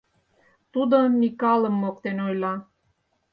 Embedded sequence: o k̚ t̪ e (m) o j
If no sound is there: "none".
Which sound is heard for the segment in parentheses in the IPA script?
n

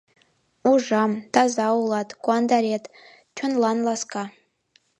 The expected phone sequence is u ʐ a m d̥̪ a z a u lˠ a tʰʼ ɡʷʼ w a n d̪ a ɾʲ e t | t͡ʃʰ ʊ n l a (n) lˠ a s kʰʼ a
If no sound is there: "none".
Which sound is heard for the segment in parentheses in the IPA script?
n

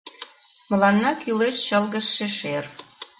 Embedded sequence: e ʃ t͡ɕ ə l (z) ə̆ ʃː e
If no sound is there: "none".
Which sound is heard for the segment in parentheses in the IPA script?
ɣ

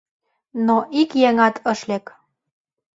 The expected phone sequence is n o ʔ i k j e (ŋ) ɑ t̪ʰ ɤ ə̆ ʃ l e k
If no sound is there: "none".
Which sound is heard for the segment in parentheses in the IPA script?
ŋ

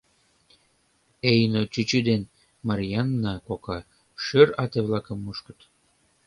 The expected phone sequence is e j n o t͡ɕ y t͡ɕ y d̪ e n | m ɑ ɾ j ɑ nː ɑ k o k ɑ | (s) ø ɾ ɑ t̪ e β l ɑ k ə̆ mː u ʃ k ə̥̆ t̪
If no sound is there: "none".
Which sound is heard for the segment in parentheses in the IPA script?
ʃ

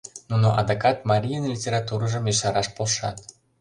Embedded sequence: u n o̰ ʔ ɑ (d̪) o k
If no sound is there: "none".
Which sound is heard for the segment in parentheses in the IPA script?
d̪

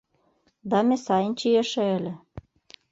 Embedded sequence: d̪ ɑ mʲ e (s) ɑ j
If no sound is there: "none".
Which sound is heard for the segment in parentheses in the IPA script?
s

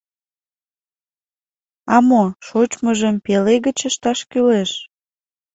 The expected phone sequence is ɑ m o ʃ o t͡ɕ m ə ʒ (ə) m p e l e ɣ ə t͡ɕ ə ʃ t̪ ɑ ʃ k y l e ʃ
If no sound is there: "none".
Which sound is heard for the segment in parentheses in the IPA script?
ə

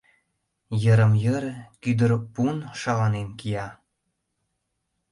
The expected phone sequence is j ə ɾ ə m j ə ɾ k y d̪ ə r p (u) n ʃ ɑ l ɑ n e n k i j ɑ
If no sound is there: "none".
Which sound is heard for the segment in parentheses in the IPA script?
u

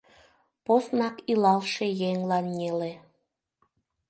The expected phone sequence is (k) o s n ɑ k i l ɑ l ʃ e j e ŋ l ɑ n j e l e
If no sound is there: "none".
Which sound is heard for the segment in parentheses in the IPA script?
p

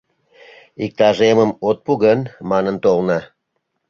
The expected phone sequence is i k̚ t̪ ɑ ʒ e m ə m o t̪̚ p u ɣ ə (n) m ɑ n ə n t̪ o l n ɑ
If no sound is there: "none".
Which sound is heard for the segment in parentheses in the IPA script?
n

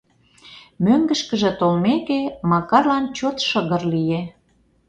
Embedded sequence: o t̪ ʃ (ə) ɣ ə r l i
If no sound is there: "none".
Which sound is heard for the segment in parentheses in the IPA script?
ə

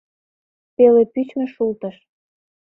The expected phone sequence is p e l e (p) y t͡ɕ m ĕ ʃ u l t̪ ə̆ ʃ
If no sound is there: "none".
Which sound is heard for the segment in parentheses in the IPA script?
p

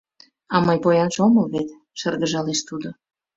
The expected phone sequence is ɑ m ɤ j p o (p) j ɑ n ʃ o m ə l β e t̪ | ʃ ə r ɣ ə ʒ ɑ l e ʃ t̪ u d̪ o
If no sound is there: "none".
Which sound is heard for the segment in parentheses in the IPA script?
none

